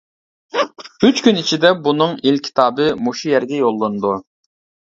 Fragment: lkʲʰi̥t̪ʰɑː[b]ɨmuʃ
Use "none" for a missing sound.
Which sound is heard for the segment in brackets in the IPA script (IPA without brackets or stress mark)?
b